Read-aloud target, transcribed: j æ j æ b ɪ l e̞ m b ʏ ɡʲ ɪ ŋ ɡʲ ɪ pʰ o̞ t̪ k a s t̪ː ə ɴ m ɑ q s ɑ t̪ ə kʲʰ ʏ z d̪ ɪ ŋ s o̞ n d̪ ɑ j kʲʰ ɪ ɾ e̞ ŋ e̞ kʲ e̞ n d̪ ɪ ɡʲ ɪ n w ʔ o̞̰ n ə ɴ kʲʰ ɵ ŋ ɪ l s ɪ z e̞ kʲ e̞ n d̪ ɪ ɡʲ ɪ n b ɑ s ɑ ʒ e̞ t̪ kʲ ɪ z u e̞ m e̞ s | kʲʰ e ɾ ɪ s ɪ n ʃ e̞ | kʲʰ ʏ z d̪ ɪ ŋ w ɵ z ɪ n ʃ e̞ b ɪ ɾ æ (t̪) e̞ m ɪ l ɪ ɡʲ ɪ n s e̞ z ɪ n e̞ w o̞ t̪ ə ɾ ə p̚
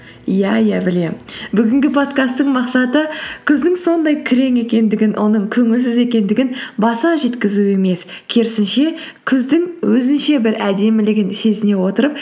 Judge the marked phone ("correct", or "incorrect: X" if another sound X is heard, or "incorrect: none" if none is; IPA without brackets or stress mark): incorrect: d̪